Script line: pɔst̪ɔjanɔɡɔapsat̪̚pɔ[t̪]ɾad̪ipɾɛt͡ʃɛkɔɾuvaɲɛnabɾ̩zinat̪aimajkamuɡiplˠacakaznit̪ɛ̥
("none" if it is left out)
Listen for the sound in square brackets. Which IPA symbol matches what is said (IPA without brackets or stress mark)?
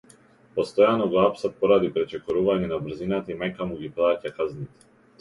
none